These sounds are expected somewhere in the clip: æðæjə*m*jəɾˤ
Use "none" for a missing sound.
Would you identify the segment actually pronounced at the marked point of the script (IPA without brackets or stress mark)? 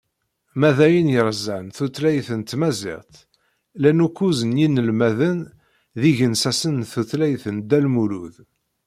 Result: n